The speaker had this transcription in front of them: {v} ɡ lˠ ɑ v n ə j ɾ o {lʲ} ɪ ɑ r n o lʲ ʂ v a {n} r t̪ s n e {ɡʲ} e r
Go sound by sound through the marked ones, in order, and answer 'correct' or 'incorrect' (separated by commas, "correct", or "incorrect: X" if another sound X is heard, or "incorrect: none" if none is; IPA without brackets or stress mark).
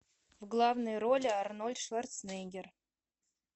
correct, correct, incorrect: none, correct